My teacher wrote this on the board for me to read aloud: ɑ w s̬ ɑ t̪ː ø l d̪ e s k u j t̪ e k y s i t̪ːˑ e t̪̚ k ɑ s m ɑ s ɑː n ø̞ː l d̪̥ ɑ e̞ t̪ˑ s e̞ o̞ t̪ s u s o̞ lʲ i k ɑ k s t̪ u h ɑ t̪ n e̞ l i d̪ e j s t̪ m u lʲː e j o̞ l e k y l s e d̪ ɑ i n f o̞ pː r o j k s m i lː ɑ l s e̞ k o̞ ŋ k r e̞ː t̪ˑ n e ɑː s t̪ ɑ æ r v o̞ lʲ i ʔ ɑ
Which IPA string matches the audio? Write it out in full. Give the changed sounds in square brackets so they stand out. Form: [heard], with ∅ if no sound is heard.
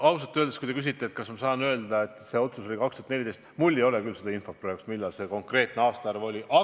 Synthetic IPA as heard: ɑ w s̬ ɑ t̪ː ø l d̪ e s k u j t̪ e k y s i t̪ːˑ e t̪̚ k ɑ s m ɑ s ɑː n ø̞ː l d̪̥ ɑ e̞ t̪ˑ s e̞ o̞ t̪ s u s o̞ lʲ i k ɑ k s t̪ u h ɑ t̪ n e̞ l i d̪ e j s t̪ m u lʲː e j o̞ l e k y l s e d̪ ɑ i n f o̞ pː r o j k s m i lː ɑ l s e̞ k o̞ ŋ k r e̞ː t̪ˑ n e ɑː s t̪ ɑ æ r v o̞ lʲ i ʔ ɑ